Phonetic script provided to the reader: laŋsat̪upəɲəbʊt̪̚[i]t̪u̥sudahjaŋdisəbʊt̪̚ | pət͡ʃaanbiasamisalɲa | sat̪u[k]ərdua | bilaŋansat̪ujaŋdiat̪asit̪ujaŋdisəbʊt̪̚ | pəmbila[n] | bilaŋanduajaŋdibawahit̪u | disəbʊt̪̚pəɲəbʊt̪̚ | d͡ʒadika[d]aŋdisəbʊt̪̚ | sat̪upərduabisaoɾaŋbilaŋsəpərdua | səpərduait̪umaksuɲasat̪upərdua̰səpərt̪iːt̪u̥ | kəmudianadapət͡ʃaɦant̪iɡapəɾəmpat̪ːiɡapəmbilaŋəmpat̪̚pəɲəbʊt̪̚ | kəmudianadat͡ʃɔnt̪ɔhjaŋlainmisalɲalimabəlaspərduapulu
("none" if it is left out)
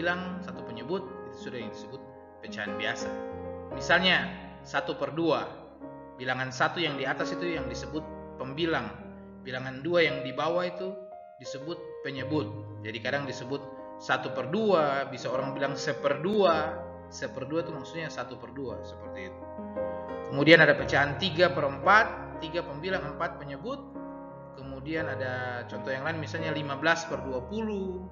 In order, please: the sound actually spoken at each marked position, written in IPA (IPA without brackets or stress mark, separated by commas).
i, p, ŋ, d